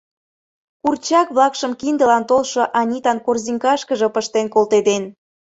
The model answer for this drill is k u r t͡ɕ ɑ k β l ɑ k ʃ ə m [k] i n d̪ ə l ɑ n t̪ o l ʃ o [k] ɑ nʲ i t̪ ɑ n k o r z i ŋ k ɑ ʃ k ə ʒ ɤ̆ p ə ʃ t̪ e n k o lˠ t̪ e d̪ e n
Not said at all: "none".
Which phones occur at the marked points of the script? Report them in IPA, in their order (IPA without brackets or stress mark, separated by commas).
k, ʔ